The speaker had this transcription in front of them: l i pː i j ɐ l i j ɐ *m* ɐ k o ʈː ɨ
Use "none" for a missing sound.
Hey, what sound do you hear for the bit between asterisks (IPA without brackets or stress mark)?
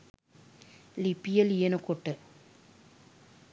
n